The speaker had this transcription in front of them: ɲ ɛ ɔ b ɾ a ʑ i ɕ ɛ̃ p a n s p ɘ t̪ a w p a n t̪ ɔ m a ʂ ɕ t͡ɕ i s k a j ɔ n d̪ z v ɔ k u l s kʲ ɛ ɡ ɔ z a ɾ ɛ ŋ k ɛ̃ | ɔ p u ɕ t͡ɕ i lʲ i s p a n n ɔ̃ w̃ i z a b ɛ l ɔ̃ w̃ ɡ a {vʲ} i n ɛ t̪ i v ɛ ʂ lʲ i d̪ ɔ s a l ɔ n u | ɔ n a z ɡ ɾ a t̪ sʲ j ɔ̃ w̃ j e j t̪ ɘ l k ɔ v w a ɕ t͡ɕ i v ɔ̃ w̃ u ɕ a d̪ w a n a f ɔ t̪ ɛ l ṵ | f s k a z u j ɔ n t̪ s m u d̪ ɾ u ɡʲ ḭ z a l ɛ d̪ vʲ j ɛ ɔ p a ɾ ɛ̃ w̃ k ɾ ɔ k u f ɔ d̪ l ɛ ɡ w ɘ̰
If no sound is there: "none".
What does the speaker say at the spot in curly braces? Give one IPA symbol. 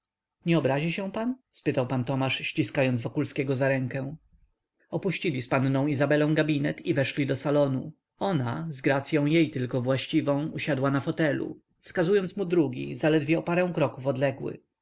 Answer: bʲ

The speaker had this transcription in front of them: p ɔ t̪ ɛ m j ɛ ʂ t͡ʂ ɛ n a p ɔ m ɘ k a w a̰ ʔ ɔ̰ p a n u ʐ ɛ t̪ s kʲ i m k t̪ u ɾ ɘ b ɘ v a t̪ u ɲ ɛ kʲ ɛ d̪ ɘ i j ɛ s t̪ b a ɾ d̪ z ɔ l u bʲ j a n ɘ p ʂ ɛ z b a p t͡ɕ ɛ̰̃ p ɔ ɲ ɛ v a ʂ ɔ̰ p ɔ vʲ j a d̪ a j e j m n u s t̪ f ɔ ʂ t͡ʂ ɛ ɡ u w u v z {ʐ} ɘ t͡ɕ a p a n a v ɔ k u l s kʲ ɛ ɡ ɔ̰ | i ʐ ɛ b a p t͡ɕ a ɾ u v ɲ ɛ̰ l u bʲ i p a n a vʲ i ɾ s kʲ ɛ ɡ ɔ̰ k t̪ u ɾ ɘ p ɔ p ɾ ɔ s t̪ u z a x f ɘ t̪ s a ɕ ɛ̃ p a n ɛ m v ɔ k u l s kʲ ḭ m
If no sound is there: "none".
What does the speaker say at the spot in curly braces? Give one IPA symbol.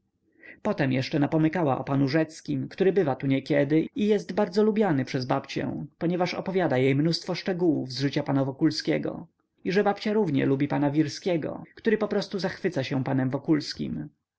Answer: ʐ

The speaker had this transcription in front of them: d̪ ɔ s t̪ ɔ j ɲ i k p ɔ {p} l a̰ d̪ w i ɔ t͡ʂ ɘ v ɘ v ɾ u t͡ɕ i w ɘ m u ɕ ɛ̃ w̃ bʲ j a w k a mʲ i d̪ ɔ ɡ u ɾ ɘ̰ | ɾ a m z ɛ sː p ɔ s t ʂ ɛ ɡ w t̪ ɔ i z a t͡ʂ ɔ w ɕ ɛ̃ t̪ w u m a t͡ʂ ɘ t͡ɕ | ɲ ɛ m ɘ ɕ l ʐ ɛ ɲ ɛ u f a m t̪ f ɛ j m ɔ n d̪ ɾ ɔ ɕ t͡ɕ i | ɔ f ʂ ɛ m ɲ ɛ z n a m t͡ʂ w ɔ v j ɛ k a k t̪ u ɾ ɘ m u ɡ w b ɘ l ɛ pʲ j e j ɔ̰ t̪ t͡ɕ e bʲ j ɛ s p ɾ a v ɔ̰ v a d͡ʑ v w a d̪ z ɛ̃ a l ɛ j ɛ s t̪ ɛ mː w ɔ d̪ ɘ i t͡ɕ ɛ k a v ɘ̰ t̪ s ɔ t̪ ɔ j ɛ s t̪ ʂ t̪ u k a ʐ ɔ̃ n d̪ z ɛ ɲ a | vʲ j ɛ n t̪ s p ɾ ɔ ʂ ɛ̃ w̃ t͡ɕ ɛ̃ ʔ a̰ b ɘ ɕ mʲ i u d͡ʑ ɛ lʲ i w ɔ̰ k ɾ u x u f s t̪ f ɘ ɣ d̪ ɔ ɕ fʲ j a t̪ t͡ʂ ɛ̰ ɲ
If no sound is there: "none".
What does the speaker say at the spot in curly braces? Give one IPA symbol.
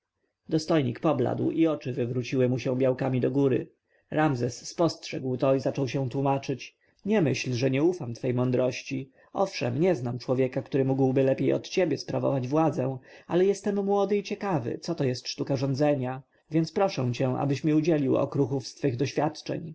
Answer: b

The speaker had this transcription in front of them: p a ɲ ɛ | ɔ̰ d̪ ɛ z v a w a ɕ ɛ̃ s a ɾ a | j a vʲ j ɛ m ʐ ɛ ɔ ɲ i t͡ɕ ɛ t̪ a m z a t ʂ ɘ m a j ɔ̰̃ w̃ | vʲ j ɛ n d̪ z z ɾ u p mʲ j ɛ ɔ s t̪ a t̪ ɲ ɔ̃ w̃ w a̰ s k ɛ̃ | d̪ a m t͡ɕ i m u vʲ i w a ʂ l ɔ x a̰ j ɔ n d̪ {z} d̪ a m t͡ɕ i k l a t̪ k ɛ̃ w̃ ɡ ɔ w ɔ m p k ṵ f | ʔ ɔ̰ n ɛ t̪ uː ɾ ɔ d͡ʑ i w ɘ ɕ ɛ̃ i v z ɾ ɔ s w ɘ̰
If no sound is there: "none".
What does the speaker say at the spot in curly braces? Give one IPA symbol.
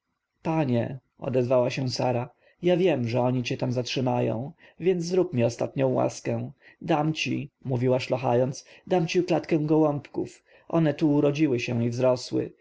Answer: s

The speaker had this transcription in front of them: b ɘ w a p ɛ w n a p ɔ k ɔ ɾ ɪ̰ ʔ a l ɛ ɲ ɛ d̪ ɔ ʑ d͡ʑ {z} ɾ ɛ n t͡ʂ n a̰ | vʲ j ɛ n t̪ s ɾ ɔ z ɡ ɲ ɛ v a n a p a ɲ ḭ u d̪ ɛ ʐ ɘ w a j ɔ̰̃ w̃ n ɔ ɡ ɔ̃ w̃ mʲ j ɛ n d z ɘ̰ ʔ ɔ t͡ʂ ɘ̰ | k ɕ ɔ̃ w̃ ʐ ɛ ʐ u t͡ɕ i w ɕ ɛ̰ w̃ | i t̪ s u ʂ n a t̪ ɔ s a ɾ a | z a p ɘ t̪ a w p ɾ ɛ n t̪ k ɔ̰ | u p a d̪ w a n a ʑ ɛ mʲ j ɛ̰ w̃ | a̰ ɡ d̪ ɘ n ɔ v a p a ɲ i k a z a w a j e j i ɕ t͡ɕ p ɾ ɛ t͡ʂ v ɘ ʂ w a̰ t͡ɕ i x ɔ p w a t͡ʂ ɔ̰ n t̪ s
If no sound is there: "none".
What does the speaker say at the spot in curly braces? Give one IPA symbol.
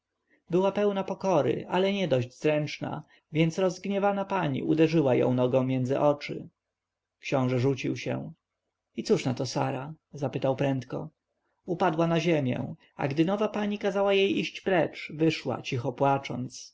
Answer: z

